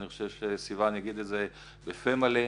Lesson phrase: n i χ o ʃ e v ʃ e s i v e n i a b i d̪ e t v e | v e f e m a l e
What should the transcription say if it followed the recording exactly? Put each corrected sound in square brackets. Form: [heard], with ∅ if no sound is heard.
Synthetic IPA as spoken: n i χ o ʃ e v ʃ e s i v [a] n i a [ɡ] i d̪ e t [z] e | [b] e f e m a l e